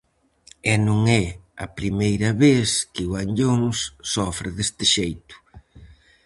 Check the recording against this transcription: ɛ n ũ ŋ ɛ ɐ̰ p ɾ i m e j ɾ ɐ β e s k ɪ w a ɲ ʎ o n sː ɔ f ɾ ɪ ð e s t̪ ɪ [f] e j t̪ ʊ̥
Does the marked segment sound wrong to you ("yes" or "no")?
yes